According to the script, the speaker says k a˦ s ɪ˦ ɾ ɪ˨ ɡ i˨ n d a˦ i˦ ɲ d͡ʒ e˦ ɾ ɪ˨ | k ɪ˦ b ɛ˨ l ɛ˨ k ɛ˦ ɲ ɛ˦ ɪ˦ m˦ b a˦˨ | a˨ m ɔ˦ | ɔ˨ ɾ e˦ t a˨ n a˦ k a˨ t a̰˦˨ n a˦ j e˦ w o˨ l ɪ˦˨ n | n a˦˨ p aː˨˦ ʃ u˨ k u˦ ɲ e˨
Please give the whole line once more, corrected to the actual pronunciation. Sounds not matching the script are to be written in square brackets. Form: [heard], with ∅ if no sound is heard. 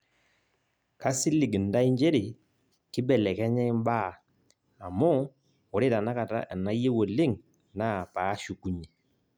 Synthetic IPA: k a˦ s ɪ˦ [l] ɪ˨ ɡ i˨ n d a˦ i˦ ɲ d͡ʒ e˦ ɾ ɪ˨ | k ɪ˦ b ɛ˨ l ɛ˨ k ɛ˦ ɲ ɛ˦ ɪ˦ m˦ b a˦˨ | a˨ m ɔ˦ | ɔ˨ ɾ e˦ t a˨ n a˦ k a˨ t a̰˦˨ n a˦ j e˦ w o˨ l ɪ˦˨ [ŋ] | n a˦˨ p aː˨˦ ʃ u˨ k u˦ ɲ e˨

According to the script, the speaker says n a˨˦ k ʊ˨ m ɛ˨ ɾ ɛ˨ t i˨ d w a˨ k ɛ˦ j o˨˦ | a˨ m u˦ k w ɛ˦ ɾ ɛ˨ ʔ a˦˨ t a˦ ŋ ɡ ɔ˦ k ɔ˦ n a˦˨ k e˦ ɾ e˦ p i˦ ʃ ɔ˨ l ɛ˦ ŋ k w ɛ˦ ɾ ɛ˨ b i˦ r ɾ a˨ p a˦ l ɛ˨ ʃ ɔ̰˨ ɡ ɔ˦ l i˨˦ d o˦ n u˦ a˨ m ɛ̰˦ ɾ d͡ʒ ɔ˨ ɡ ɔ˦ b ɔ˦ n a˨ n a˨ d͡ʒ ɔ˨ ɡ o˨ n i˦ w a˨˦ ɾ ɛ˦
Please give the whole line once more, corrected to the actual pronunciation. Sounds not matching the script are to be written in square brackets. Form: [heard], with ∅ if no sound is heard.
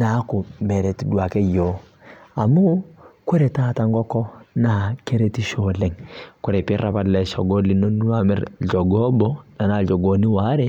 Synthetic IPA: n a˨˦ k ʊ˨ m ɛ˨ ɾ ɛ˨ t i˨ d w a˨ k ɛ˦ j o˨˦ | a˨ m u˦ k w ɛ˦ ɾ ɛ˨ [t] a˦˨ t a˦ ŋ ɡ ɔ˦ k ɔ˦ n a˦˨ k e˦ ɾ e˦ [t] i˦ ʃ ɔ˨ l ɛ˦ ŋ k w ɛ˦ ɾ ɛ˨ [p] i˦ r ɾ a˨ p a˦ l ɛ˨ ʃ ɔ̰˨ ɡ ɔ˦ l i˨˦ [n] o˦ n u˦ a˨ m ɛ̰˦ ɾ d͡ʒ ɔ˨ ɡ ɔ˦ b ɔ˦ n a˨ n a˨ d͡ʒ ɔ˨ ɡ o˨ n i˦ w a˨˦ ɾ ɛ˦

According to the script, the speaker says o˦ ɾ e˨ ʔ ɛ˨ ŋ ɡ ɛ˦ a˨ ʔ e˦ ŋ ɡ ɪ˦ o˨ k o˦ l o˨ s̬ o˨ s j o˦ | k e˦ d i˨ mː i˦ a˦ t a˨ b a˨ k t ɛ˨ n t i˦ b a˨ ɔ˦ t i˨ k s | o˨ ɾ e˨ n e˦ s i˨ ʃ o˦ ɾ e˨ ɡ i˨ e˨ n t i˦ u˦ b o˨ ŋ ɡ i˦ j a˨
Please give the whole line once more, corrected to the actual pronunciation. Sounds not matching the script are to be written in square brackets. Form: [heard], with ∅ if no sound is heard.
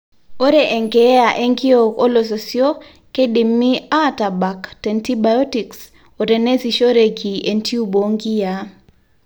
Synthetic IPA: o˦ ɾ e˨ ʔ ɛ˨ ŋ ɡ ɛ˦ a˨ ʔ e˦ ŋ ɡ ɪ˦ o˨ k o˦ l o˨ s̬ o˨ s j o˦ | k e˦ d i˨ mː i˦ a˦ t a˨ b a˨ k t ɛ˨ n t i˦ b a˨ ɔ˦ t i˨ k s | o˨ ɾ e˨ n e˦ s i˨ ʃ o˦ ɾ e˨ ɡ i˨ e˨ n t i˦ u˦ b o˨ ŋ ɡ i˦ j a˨

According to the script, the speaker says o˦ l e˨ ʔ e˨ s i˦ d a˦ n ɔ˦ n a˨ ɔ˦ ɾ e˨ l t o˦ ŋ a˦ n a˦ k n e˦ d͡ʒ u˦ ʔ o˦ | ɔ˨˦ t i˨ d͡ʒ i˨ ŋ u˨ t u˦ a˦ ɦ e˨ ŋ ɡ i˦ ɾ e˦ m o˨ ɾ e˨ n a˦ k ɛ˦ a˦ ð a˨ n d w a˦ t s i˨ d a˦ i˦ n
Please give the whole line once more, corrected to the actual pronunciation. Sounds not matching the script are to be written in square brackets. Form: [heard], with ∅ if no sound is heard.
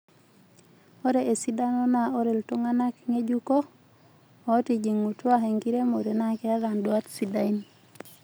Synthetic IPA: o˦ [ɾ] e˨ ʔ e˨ s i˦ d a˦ n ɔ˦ n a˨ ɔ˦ ɾ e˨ l t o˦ ŋ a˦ n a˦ k [ŋ] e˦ d͡ʒ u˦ [k] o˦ | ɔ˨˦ t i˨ d͡ʒ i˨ ŋ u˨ t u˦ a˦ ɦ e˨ ŋ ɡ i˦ ɾ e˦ m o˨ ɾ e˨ n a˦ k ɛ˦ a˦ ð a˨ n d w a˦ t s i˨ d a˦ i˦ n

